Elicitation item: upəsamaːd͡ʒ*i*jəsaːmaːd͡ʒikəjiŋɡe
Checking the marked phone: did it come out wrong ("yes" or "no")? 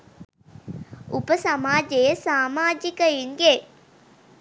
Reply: yes